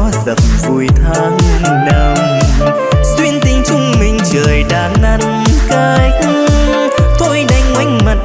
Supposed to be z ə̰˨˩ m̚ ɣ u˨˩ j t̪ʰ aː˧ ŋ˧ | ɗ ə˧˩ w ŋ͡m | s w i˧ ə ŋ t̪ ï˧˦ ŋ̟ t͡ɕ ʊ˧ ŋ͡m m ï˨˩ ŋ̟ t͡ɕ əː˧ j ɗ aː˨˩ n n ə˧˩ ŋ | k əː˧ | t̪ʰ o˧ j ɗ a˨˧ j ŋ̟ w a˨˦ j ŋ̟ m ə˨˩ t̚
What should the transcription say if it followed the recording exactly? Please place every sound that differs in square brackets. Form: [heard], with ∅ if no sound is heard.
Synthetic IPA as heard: z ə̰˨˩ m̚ [v] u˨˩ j t̪ʰ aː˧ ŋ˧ | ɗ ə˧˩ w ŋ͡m | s w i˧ ə [n] t̪ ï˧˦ ŋ̟ t͡ɕ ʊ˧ ŋ͡m m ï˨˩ ŋ̟ t͡ɕ [əː˨˩] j ɗ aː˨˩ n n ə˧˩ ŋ | k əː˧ | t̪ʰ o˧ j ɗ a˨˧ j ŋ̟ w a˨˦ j ŋ̟ m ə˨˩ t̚